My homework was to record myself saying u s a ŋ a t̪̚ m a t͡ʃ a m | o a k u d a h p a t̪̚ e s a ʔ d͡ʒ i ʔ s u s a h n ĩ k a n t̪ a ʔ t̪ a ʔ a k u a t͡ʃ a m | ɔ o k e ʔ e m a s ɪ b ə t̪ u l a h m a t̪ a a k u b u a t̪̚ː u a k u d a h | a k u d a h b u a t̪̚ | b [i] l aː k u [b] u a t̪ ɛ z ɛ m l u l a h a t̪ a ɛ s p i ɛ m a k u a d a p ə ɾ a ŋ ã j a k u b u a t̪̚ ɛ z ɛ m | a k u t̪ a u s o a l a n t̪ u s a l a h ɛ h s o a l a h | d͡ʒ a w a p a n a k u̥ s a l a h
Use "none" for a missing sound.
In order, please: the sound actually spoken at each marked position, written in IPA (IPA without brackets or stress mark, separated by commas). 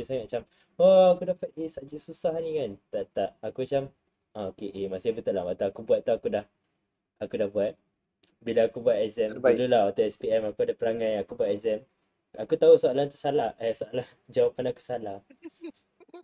i, b